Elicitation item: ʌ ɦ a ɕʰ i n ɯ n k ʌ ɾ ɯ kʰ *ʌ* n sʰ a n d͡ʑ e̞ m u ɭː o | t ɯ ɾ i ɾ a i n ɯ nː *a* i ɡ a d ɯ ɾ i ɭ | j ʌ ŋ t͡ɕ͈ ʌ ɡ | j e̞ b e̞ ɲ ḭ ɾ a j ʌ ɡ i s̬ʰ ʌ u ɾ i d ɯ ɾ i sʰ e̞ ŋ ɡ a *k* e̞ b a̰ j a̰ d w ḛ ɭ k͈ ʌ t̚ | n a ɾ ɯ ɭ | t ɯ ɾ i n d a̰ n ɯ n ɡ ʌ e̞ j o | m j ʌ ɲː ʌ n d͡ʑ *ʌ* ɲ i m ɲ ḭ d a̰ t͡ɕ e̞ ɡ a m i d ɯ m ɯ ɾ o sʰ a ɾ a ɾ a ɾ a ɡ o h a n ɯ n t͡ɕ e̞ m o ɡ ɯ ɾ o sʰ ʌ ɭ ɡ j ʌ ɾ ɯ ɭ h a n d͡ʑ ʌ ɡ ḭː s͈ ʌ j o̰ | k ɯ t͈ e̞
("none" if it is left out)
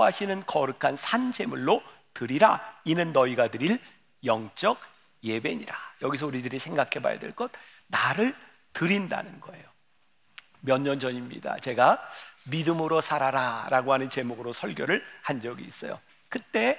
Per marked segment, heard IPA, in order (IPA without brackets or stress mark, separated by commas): a, ʌ, kʰ, ʌ